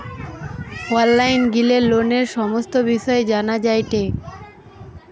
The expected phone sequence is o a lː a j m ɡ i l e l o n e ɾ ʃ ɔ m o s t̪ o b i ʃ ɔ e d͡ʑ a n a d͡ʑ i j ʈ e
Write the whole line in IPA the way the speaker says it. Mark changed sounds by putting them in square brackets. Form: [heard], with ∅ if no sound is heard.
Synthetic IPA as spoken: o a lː a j [n] ɡ i l e l o n e ɾ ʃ ɔ m o s t̪ o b i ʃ ɔ e d͡ʑ a n a d͡ʑ [a] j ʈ e